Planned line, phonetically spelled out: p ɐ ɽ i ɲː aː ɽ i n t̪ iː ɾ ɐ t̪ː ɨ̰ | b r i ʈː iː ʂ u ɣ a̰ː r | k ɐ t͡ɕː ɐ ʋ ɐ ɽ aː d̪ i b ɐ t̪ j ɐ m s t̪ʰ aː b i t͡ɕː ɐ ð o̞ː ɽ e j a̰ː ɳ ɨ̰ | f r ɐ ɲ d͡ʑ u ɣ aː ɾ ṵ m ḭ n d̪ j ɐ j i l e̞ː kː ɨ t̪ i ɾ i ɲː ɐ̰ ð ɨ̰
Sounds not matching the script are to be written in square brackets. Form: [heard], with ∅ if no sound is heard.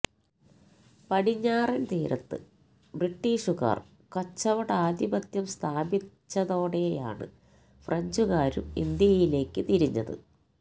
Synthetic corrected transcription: p ɐ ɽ i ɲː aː [r] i n t̪ iː ɾ ɐ t̪ː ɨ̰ | b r i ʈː iː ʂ u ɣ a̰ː r | k ɐ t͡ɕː ɐ ʋ ɐ ɽ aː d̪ i b ɐ t̪ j ɐ m s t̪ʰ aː b i t͡ɕː ɐ ð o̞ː ɽ e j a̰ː ɳ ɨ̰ | f r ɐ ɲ d͡ʑ u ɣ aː ɾ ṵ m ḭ n d̪ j ɐ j i l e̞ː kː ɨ t̪ i ɾ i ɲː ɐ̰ ð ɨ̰